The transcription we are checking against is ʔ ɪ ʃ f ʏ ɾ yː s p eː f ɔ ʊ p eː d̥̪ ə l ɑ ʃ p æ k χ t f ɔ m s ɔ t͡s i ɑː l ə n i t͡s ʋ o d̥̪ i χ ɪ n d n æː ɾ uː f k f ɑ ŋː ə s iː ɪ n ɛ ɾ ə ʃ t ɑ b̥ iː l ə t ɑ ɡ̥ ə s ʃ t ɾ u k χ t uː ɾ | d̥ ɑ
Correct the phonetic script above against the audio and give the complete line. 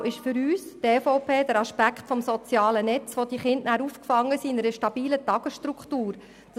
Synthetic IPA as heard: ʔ ɪ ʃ f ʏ ɾ yː s t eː f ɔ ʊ p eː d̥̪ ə ɾ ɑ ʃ p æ k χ t f ɔ m s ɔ t͡s j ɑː l ə n ɛ t͡s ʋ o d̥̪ i χ ɪ n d n æː ɾ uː f k f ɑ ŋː ə s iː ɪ n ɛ ɾ ə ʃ t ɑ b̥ iː l ə t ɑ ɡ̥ ə s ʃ t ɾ u k χ t uː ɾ | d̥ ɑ